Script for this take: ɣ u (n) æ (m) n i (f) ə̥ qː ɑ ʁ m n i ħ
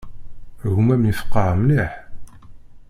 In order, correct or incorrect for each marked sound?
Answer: incorrect, correct, correct

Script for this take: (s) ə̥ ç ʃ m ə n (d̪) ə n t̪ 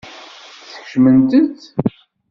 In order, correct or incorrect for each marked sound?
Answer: incorrect, incorrect

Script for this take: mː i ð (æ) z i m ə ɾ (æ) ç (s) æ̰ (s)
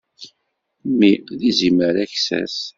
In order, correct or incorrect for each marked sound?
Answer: incorrect, correct, correct, correct

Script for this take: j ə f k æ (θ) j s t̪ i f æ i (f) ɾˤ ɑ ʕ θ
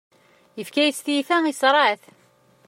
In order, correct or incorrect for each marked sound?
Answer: incorrect, incorrect

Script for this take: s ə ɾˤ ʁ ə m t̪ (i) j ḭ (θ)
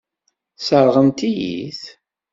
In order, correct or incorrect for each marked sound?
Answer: correct, correct

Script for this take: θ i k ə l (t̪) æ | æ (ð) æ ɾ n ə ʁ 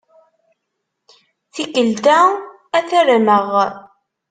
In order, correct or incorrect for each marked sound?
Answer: correct, incorrect

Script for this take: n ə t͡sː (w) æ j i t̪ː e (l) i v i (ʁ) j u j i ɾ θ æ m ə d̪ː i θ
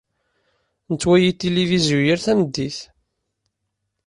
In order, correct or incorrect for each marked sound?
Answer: correct, correct, incorrect

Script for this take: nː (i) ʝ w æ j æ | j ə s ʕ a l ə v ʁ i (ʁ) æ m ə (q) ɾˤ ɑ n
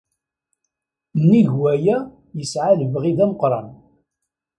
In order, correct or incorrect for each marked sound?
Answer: correct, incorrect, correct

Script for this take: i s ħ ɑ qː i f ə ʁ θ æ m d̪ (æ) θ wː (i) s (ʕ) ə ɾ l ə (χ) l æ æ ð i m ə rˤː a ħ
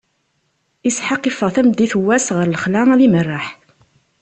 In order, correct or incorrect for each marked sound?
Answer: incorrect, incorrect, incorrect, correct

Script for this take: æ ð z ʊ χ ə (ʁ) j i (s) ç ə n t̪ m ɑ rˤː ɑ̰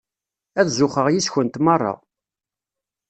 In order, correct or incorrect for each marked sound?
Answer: correct, correct

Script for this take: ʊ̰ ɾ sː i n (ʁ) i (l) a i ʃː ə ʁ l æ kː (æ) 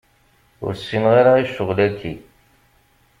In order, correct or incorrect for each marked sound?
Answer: correct, incorrect, incorrect

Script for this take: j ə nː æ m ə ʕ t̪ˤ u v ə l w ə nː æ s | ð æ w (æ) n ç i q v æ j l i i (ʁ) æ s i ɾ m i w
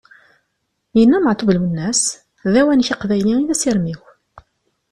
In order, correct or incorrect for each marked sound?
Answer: correct, incorrect

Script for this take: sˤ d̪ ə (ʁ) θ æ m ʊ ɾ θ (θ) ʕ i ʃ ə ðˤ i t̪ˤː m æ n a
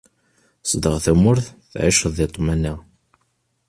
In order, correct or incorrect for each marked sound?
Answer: correct, correct

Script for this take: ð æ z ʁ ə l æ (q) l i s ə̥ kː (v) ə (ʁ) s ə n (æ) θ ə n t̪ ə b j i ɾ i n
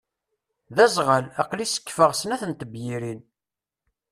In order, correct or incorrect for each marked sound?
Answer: correct, incorrect, correct, correct

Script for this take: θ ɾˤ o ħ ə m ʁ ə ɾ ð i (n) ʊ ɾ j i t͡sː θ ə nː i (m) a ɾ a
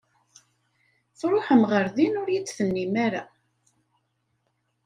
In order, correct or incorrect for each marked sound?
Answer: correct, correct

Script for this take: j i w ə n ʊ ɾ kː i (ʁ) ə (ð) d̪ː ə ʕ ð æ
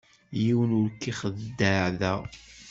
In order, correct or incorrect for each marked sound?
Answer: incorrect, correct

